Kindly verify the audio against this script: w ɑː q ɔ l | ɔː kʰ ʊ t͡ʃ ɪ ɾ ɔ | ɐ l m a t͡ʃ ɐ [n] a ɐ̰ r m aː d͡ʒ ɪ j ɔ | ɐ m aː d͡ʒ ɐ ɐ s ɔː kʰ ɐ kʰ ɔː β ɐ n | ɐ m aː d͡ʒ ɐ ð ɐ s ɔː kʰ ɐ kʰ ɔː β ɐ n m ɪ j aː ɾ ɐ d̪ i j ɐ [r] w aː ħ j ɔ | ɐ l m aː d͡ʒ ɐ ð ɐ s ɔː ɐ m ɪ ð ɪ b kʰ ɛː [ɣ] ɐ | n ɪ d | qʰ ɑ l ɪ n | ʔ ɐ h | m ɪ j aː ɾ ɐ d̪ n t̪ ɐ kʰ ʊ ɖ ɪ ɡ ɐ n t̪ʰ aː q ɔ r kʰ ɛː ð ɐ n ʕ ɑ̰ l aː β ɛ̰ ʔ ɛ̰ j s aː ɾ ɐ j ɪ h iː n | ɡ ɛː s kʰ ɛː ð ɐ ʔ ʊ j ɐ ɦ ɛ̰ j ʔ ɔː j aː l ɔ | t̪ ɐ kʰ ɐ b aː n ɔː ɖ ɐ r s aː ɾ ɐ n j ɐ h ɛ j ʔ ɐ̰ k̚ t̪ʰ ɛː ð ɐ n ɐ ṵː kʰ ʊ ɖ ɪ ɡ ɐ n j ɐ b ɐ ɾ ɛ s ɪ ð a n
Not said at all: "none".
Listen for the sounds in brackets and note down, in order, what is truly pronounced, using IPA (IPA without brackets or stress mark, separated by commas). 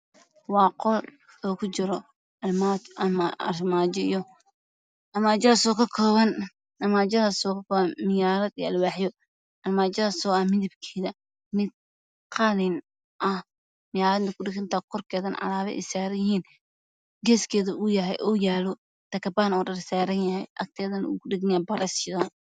m, l, ð